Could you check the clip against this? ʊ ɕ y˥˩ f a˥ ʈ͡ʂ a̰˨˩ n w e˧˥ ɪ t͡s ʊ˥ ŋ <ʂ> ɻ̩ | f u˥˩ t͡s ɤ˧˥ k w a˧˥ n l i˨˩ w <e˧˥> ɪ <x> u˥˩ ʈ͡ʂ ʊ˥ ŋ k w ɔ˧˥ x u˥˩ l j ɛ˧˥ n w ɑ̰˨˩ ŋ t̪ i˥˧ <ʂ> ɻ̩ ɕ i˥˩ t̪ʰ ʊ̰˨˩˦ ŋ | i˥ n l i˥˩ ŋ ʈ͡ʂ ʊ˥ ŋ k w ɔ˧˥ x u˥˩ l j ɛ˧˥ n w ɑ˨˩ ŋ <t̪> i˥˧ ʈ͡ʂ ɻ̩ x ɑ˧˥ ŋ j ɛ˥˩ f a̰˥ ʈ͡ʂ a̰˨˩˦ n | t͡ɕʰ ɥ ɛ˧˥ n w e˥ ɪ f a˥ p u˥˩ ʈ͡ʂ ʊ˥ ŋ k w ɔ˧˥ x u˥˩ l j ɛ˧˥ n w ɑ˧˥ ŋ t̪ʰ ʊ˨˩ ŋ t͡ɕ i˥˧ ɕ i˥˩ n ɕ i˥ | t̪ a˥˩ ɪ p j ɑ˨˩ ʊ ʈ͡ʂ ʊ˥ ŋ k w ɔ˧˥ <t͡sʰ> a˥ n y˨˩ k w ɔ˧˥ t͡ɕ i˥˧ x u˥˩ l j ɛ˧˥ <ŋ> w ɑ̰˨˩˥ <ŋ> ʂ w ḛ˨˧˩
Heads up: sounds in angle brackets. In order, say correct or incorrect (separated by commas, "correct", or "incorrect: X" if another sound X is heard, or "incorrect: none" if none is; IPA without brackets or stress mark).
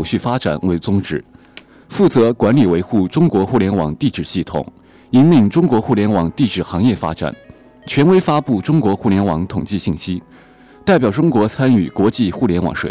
incorrect: ʈ͡ʂ, correct, correct, incorrect: ʈ͡ʂ, correct, correct, incorrect: n, correct